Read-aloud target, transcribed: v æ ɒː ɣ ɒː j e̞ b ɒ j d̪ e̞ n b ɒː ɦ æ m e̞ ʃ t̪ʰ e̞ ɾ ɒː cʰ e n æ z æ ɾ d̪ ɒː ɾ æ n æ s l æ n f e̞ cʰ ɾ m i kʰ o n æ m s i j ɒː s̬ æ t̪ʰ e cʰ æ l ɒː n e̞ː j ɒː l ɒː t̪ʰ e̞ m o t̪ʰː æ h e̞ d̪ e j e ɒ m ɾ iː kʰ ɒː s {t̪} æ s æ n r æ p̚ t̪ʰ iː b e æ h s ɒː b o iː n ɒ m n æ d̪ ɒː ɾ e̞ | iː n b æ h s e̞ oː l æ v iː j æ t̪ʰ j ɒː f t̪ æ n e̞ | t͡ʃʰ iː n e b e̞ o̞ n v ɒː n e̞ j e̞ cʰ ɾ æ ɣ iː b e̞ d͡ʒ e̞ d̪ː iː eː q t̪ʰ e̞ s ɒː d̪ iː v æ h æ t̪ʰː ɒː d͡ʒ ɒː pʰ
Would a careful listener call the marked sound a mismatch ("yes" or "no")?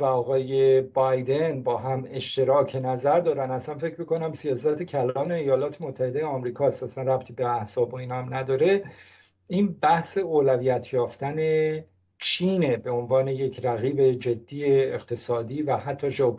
no